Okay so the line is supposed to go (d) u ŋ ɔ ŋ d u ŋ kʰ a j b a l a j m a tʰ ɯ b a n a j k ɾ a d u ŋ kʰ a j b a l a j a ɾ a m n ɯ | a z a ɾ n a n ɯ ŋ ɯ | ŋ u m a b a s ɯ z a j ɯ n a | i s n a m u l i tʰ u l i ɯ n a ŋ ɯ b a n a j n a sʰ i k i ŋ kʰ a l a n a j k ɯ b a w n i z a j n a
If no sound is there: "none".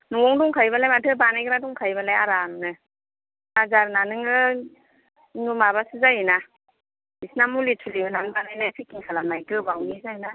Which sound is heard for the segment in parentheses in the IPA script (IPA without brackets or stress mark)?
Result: n